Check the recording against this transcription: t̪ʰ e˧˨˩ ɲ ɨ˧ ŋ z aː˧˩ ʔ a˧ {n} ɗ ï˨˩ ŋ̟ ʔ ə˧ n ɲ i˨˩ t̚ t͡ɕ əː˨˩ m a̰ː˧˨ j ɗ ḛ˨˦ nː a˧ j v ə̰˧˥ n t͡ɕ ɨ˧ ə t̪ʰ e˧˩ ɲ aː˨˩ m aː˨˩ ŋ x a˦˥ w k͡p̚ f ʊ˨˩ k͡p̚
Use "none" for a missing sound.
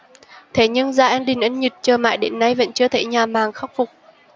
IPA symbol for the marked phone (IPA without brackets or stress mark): n